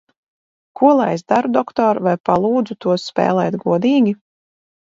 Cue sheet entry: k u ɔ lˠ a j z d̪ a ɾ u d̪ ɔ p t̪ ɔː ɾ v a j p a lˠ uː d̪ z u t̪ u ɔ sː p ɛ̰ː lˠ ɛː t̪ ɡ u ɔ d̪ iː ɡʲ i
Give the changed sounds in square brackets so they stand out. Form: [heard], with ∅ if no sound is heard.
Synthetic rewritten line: k u ɔ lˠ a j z d̪ a ɾ u d̪ ɔ [k] t̪ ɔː ɾ v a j p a lˠ uː d̪ z u t̪ u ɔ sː p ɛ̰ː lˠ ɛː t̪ ɡ u ɔ d̪ iː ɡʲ i